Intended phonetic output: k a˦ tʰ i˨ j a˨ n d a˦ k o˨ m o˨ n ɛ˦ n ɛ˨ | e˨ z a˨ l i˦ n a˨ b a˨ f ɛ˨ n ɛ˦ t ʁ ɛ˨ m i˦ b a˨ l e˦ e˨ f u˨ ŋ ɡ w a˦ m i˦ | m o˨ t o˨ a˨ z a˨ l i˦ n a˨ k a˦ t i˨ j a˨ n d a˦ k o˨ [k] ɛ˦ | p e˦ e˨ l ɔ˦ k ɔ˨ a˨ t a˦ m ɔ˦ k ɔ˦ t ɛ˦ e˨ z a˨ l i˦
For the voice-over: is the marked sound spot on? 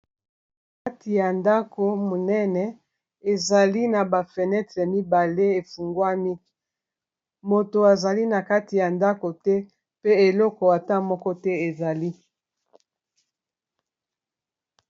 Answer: no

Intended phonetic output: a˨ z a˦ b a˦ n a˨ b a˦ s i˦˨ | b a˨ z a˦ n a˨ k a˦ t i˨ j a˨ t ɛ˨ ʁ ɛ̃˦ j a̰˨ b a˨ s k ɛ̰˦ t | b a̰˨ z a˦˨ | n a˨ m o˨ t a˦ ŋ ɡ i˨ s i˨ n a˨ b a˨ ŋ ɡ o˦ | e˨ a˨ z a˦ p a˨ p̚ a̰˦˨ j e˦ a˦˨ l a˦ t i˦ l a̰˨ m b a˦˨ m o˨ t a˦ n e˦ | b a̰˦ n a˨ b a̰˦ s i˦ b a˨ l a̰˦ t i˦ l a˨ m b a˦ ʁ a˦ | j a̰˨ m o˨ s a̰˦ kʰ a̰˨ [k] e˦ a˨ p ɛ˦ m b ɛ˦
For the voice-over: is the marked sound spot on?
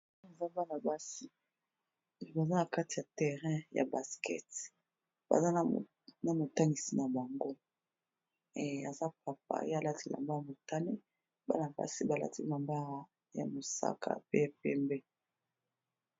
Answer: no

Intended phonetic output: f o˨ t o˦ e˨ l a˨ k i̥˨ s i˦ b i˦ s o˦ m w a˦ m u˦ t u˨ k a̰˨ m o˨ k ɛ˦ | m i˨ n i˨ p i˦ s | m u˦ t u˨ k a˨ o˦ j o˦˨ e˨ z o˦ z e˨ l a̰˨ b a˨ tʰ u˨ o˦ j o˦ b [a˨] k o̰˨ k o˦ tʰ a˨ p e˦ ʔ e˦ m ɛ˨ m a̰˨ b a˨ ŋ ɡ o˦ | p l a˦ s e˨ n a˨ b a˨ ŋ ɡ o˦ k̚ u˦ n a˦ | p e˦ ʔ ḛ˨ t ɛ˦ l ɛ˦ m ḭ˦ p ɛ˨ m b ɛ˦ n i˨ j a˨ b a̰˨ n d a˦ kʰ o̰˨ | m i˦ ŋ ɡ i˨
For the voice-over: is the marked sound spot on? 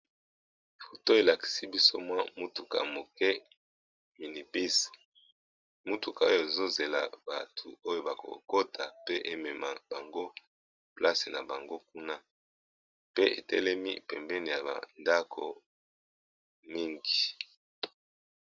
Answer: yes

